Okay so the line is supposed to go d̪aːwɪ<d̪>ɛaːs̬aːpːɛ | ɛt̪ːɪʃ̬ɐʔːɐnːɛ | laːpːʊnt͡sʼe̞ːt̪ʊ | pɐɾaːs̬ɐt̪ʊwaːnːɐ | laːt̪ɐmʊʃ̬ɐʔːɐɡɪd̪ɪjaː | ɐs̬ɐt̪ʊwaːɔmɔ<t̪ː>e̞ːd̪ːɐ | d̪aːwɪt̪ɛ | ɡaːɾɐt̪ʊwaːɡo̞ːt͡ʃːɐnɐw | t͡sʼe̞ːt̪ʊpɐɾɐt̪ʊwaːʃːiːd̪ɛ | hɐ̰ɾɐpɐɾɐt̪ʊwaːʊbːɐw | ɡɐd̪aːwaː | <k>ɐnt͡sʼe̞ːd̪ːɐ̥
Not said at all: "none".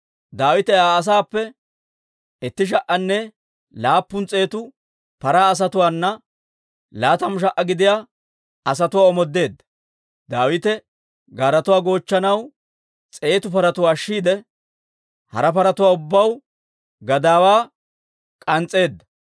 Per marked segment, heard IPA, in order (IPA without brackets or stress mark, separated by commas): t̪, d̪ː, kʼ